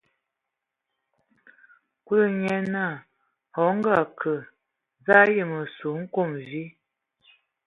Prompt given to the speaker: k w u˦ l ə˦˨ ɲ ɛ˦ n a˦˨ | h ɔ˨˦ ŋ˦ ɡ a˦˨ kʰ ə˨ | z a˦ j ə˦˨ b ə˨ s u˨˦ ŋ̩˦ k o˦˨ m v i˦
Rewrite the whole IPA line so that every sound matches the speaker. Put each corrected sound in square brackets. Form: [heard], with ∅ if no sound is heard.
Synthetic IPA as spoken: k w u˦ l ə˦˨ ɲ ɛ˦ n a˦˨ | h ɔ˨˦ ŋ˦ ɡ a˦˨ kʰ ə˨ | z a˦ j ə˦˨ [m] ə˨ s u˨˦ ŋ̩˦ k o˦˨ m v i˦